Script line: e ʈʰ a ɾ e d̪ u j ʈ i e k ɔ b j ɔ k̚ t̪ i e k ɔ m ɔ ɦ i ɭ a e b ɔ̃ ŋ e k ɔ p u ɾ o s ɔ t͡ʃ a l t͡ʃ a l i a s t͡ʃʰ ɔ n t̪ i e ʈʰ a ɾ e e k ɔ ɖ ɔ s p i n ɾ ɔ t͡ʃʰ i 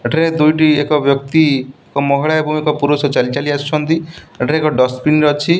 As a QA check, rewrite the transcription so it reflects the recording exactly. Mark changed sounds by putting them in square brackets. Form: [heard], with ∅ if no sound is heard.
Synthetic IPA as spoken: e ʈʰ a ɾ e d̪ u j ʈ i e k ɔ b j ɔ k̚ t̪ i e k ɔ m ɔ ɦ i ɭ a e b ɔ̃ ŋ e k ɔ p u ɾ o s ɔ t͡ʃ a l t͡ʃ a l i a s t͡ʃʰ ɔ n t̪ i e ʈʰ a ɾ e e k ɔ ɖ ɔ s p i n ɾ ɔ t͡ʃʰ i